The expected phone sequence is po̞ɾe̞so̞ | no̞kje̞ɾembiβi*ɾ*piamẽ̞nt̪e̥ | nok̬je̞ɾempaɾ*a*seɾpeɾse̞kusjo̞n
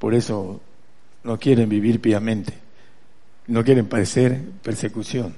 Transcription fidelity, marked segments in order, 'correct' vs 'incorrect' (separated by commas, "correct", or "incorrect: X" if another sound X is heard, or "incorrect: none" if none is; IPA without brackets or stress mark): correct, incorrect: e